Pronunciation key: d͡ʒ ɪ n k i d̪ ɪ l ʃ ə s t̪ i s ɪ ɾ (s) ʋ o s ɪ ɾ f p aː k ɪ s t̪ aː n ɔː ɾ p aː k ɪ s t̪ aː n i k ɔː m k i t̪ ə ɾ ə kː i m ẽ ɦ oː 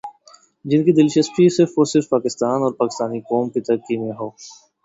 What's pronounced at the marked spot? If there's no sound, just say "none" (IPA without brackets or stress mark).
f